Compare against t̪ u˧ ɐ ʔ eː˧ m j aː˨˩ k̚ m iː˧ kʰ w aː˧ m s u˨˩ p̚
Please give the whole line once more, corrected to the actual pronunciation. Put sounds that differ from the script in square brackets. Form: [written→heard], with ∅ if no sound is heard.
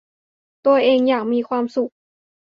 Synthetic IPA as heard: t̪ u˧ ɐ ʔ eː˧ [m→ŋ] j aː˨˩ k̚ m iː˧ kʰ w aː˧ m s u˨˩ [p̚→k̚]